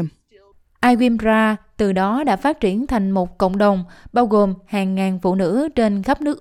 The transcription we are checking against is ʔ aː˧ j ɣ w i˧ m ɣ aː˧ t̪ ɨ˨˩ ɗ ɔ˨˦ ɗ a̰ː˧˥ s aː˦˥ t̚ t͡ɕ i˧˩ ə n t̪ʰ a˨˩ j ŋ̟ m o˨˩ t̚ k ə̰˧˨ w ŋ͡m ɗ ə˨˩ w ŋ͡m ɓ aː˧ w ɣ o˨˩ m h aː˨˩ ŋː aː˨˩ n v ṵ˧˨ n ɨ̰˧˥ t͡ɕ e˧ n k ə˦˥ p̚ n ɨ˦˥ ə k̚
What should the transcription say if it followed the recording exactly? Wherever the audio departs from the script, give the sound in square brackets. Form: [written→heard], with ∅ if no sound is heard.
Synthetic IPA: ʔ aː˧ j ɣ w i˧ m [ɣ→z] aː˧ t̪ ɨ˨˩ ɗ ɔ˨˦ ɗ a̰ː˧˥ [s→f] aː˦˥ t̚ t͡ɕ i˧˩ ə n t̪ʰ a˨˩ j ŋ̟ m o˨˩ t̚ k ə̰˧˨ w ŋ͡m ɗ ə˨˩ w ŋ͡m ɓ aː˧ w ɣ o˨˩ m h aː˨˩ ŋː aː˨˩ n [v→f] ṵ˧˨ n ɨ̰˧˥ t͡ɕ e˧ n [k→x] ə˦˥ p̚ n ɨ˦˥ ə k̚